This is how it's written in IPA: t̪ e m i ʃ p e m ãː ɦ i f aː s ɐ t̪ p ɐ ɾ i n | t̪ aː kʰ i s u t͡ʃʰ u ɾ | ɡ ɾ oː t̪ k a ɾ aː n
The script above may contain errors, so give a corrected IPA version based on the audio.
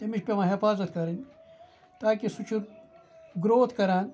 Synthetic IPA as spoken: t̪ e m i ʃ p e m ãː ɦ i f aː z ɐ t̪ k ɐ ɾ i n | t̪ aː k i s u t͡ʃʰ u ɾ | ɡ ɾ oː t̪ k ɐ ɾ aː n